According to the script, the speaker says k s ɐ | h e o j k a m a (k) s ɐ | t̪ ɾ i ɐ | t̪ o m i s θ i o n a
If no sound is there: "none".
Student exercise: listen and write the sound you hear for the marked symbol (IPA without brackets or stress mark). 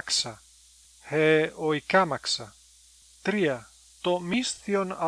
k